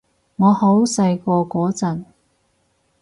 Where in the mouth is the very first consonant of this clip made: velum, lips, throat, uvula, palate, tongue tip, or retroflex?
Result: velum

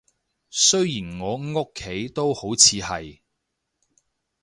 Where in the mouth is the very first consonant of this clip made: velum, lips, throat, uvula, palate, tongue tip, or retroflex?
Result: tongue tip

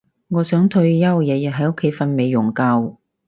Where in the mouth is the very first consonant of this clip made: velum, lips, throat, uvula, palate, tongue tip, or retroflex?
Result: velum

